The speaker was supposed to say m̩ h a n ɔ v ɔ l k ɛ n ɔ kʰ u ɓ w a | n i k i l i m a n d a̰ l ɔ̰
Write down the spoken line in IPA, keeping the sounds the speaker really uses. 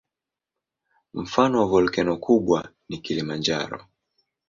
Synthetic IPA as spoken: m̩ f a n ɔ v ɔ l k ɛ n ɔ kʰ u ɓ w a | n i k i l i m a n d͡ʒ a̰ ɾ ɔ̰